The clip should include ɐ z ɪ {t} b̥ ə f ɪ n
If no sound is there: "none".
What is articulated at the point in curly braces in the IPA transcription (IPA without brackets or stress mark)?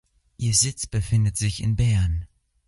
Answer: t͡s